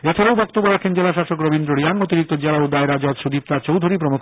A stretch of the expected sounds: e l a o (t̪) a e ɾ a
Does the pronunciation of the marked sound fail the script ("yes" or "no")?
yes